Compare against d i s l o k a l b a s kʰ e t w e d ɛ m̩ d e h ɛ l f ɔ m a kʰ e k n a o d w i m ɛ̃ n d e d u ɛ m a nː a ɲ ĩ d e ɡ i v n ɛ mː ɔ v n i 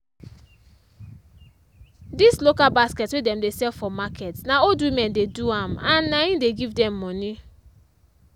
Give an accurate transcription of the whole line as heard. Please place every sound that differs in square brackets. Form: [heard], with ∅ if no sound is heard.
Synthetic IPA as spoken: d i s l o k a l b a s [k] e t w e d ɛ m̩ d e [s] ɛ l f ɔ m a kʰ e [t] n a o d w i m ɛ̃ n d e d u [a] m a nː a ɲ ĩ d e ɡ i v [d] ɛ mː ɔ [∅] n i